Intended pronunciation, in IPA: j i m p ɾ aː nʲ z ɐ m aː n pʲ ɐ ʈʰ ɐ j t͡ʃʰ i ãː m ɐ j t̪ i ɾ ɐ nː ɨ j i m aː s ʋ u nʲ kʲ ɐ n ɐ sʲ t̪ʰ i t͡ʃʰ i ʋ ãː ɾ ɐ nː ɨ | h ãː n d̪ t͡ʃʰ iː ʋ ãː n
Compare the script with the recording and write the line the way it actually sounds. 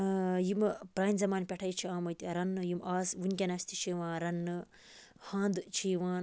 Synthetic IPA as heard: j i m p ɾ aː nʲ z ɐ m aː n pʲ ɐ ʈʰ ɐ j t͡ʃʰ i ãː m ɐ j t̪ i ɾ ɐ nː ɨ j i m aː s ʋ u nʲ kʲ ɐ n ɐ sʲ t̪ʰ i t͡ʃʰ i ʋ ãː ɾ ɐ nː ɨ | h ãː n d̪ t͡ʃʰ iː ʋ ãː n